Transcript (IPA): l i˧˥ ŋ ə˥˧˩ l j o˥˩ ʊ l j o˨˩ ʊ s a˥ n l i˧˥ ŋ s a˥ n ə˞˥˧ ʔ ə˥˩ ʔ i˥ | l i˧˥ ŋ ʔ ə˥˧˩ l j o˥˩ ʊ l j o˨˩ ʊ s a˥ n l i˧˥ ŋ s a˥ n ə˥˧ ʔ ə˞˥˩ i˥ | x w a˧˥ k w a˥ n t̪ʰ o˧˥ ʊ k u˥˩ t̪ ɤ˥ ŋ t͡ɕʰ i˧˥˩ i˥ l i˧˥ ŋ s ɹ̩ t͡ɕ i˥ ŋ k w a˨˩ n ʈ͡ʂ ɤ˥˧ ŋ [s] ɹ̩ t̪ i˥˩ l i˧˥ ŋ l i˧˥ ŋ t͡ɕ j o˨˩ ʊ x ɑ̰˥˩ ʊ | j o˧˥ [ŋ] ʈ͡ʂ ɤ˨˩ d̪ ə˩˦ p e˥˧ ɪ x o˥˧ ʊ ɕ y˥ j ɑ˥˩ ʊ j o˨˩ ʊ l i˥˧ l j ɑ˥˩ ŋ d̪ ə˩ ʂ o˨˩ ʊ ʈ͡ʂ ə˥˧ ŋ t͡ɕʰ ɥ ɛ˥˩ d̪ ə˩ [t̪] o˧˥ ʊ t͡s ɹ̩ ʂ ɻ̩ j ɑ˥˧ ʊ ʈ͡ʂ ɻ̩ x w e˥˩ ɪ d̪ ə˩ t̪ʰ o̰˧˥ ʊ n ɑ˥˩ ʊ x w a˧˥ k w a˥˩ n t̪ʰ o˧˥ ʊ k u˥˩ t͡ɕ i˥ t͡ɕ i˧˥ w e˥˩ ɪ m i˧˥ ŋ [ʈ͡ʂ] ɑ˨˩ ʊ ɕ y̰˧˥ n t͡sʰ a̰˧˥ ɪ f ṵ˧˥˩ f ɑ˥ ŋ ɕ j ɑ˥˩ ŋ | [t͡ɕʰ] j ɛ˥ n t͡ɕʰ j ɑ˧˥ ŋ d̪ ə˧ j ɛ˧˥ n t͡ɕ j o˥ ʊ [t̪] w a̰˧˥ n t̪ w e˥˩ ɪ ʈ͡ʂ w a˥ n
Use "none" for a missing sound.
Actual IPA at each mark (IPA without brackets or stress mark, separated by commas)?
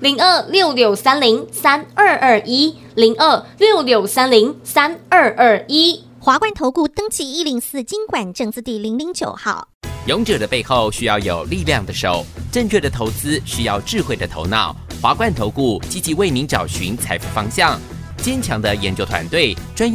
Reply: t͡s, ŋ, t̪ʰ, ʈ͡ʂ, t͡ɕ, t̪ʰ